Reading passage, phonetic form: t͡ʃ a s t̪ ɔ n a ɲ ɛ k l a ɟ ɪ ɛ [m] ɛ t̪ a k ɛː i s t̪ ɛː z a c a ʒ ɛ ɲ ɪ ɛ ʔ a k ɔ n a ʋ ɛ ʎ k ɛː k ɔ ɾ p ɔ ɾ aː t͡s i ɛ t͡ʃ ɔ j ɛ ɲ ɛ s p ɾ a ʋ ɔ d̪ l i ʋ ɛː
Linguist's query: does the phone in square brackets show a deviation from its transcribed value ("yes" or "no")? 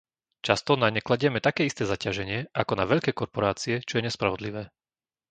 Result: no